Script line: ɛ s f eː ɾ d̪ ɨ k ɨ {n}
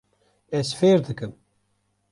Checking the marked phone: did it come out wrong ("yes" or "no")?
yes